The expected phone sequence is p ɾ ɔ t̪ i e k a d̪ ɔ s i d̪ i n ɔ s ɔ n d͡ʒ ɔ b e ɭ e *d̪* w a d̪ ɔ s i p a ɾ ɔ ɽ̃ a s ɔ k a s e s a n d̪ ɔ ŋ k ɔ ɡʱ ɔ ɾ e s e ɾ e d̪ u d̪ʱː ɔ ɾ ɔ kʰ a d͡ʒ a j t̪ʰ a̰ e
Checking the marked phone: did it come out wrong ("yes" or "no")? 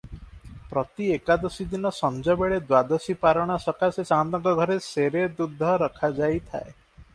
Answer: no